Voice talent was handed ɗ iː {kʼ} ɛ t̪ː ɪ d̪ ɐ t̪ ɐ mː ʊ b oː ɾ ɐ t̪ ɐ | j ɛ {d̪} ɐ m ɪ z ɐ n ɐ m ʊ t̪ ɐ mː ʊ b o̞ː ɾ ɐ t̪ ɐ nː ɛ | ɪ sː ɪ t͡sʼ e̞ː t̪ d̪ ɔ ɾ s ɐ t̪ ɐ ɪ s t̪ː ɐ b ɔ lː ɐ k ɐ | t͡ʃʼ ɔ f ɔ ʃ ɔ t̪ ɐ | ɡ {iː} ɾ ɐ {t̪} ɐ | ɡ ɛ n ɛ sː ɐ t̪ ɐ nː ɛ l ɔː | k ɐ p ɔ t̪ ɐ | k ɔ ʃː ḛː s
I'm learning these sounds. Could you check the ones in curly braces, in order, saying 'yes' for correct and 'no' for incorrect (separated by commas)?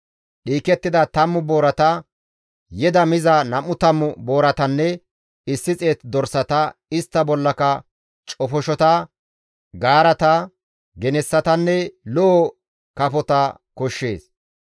no, yes, no, yes